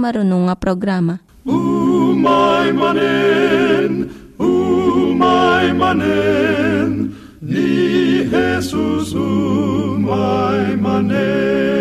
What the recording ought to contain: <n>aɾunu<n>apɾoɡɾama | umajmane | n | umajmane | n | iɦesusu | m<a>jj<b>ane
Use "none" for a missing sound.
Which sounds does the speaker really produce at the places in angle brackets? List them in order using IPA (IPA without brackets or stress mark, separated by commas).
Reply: m, ŋ, a, m